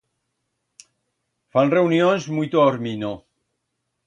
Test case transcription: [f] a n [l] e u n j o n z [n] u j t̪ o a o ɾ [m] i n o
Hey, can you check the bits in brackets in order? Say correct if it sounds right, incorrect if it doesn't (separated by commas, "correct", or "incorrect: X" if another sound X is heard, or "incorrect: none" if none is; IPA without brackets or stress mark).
correct, incorrect: r, incorrect: m, correct